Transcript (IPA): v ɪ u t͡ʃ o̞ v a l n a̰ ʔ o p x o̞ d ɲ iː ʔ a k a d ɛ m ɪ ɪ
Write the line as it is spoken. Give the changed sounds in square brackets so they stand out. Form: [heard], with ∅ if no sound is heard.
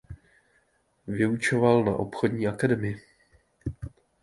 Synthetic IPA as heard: v ɪ u t͡ʃ o̞ v a l n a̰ ʔ o p x o̞ d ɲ iː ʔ a k a d ɛ m ɪ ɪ